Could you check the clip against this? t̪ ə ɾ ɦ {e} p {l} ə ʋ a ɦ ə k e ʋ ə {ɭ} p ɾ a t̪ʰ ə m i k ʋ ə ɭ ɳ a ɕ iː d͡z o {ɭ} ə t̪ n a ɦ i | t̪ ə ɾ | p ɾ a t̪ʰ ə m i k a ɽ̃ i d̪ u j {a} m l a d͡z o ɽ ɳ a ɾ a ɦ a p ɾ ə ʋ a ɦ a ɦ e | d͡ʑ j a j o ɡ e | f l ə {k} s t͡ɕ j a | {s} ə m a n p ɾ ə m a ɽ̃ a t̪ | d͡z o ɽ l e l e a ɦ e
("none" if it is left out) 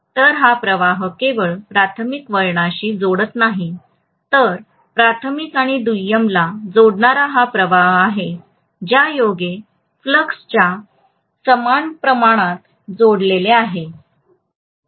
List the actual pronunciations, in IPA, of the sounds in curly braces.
a, ɾ, ɭ, ɽ, ə, k, s

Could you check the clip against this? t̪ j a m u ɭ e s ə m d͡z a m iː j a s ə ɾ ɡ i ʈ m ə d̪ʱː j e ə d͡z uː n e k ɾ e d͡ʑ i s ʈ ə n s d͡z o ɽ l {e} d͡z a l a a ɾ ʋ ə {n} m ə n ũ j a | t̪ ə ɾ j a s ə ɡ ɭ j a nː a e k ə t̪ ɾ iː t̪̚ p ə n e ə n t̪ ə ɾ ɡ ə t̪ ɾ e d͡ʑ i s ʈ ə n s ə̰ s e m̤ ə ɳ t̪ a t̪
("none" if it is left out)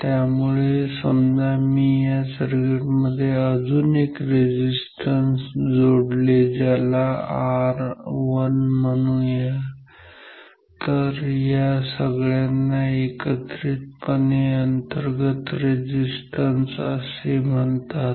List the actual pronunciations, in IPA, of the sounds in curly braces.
e, n

